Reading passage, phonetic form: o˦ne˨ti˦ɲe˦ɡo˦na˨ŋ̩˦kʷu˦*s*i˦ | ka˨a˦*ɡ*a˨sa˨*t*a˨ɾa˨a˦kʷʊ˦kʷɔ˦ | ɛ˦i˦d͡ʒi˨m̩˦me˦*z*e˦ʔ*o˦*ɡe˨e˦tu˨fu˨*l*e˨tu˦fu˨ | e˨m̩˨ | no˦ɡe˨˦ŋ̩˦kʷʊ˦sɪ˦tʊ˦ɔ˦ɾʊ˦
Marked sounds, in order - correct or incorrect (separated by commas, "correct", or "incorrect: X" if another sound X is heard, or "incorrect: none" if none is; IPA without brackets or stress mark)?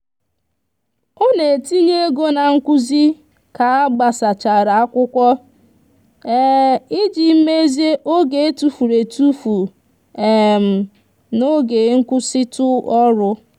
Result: incorrect: z, incorrect: ɡ͡b, incorrect: t͡ʃ, correct, correct, incorrect: ɾ